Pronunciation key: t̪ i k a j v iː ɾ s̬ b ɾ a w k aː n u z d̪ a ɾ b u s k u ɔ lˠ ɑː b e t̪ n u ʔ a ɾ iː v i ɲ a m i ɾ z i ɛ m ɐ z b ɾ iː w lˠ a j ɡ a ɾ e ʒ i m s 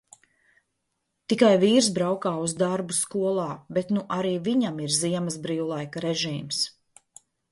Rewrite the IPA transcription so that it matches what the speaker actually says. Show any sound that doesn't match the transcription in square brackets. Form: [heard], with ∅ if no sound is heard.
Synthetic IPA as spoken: t̪ i k a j v iː ɾ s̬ b ɾ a w k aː [∅] u z d̪ a ɾ b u s k u ɔ lˠ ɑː b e t̪ n u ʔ a ɾ iː v i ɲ a m i ɾ z i ɛ m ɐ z b ɾ iː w lˠ a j [k] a ɾ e ʒ [iː] m s